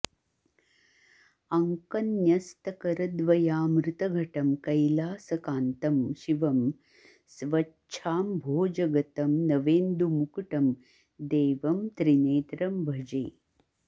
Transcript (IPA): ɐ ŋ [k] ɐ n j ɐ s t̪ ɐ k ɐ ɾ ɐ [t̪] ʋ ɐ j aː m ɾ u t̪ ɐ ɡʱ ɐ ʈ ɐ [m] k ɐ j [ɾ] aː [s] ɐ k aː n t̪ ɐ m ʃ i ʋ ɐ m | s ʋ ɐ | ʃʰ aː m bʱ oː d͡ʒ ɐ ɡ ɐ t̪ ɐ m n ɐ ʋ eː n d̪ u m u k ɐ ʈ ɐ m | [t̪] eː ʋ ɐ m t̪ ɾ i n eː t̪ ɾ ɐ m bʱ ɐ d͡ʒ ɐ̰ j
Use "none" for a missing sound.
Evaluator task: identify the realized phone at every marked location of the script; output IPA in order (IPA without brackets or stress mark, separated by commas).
k, d̪, m, l, s, d̪